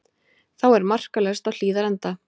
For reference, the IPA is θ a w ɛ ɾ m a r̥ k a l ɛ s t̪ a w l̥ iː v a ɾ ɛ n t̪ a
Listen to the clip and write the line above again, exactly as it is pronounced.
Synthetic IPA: θ a w ɛ ɾ m a r̥ k a l ɛ s t̪ a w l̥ iː ð a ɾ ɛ n t̪ a